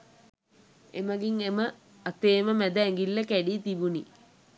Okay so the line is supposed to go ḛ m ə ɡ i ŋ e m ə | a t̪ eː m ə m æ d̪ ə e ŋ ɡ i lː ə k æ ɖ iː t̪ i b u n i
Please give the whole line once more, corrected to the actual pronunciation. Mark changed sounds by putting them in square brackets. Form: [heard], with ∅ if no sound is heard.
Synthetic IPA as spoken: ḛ m ə ɡ i ŋ e m ə | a t̪ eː m ə m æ d̪ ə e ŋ ɡ i lː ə k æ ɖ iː t̪ i b u n i